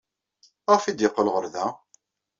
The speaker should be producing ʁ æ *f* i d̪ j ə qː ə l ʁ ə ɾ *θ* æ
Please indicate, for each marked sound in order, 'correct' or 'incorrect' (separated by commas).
correct, incorrect